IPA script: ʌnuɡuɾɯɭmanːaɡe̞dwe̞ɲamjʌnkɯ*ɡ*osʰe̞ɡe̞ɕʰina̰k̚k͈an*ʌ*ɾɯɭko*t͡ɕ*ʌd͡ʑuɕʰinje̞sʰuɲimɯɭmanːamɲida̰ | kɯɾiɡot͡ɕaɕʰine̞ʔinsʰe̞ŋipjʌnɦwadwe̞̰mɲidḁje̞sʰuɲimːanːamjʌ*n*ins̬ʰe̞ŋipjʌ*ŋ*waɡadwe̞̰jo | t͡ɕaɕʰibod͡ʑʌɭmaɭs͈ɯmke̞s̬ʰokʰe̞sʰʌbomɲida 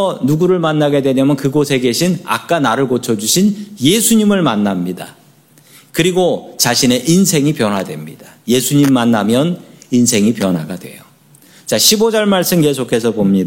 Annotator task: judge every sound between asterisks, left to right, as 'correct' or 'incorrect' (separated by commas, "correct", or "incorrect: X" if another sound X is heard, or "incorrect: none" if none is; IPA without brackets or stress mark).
correct, incorrect: a, incorrect: t͡ɕʰ, correct, incorrect: n